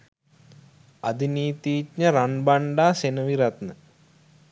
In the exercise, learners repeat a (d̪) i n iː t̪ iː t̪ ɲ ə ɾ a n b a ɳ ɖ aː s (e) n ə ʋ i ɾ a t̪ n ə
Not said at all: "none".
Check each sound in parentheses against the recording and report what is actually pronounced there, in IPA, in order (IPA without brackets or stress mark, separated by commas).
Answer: d̪, e